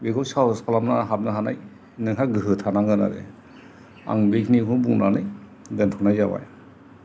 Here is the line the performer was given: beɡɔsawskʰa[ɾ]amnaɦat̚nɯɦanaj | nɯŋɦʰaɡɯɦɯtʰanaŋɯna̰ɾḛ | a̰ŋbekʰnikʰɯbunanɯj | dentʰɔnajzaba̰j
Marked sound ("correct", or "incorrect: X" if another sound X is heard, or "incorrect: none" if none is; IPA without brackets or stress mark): incorrect: l